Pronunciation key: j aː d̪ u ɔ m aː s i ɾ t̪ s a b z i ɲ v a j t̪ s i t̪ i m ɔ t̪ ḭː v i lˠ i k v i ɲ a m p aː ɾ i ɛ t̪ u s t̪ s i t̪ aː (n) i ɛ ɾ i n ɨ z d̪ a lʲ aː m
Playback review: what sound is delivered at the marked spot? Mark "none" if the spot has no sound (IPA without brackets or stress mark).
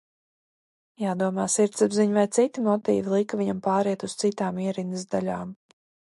m